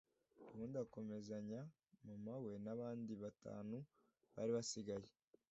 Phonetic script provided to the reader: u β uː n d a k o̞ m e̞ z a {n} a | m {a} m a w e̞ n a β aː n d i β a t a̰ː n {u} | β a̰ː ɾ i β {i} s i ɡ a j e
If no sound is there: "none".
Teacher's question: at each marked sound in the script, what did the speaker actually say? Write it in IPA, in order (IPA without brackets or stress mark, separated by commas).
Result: ɲ, a, u, a